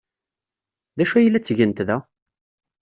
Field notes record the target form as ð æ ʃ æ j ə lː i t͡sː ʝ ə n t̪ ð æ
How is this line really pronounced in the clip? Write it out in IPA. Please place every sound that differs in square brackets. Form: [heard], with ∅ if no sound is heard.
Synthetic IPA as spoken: ð æ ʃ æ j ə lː [æ] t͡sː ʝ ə n t̪ ð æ